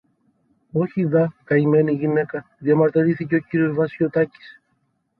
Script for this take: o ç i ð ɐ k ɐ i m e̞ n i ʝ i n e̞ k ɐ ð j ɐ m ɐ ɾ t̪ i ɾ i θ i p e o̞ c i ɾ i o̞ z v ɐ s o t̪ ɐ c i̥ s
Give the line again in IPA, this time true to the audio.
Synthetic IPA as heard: o ç i ð ɐ k ɐ i m e̞ n i ʝ i n e̞ k ɐ ð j ɐ m ɐ ɾ t̪ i ɾ i θ i c e o̞ c i ɾ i o̞ z v ɐ s o t̪ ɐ c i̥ s